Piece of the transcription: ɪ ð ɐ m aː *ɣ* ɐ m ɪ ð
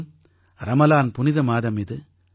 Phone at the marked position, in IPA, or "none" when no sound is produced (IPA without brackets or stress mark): ð